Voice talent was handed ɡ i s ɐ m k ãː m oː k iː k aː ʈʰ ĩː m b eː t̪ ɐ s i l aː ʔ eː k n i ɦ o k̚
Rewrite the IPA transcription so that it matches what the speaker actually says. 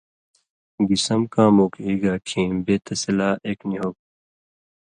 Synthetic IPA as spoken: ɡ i s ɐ m k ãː m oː k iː ɡ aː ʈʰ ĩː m b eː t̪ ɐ s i l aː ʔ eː k n i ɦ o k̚